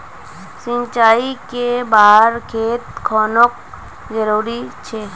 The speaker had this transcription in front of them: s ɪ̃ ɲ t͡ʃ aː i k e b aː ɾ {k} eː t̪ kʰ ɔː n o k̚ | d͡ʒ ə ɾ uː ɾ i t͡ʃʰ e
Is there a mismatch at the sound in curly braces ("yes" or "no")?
yes